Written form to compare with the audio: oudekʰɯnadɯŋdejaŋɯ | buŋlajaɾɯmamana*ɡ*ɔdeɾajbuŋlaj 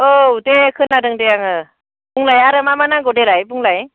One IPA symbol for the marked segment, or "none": ɡ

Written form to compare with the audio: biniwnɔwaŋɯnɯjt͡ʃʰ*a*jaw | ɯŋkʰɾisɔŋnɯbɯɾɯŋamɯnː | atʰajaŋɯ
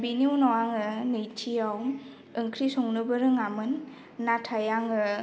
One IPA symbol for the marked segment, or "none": i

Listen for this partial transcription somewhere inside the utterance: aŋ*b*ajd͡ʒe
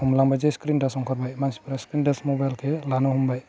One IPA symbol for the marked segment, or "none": b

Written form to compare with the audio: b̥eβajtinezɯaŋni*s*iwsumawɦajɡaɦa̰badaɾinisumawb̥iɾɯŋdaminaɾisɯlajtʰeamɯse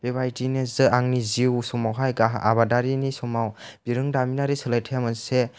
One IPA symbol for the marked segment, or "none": z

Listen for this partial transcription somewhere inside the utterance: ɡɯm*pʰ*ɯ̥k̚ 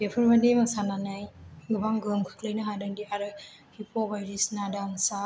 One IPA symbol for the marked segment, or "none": kʰ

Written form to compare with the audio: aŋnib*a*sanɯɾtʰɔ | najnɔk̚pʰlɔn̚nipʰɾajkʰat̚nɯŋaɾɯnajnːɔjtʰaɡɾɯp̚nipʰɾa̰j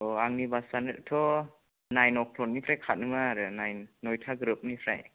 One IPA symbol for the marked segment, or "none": a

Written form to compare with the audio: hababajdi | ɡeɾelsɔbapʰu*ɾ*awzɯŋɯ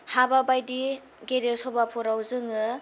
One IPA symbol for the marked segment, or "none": ɾ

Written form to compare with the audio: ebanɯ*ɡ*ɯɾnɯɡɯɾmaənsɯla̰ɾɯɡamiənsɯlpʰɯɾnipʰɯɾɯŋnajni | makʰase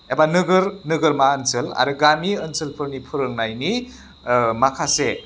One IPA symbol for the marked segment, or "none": ɡ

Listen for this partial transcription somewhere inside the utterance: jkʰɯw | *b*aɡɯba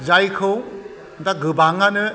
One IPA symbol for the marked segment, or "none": d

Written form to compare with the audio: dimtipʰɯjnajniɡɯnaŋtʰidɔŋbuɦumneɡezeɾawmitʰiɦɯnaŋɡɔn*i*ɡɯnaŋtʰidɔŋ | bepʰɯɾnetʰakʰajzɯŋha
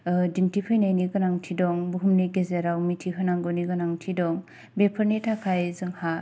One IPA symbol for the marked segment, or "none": i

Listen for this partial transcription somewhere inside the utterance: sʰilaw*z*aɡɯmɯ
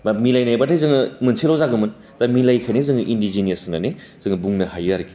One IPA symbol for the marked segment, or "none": z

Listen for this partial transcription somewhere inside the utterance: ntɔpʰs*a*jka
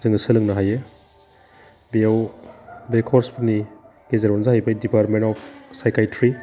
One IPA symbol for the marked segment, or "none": a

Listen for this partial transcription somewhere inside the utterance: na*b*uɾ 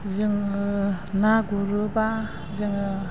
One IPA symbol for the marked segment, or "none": ɡ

